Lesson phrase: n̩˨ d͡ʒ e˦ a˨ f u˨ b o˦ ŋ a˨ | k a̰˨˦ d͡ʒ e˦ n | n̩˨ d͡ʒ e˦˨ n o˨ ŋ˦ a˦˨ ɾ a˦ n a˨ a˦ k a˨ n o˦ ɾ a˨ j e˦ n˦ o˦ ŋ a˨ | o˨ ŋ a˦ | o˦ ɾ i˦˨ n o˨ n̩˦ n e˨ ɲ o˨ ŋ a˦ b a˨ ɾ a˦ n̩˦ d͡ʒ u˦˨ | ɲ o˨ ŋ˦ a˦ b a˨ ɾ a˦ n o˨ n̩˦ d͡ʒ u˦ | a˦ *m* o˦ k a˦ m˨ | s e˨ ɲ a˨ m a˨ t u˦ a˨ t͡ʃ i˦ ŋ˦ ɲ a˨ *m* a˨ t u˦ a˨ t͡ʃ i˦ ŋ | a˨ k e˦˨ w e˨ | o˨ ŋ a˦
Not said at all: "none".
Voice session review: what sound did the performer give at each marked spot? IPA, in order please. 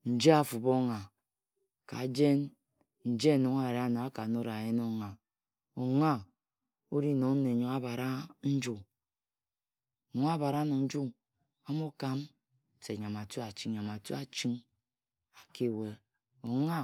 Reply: m, m

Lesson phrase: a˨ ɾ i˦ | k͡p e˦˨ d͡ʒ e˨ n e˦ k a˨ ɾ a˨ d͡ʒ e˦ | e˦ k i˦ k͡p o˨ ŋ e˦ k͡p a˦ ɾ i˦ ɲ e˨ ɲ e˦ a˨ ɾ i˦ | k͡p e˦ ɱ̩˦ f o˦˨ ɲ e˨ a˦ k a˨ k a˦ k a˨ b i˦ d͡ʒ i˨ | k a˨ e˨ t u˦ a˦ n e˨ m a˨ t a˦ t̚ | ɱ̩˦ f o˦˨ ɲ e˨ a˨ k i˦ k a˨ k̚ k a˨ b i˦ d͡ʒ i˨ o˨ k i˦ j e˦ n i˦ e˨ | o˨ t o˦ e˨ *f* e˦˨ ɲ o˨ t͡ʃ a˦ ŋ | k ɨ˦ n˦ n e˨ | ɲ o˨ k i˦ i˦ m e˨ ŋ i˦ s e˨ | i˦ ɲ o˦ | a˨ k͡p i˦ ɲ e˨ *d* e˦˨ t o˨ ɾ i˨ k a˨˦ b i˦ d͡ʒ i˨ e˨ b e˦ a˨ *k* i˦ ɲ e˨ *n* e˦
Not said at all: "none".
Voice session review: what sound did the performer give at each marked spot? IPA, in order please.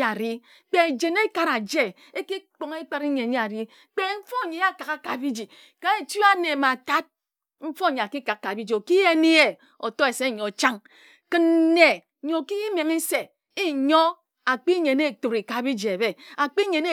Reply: s, n, k͡p, n

